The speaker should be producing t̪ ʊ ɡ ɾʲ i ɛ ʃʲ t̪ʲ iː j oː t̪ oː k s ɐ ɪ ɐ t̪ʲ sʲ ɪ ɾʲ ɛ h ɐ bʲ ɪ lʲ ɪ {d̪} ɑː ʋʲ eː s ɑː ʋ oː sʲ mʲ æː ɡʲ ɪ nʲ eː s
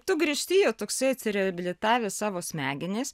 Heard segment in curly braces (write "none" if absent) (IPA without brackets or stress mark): t̪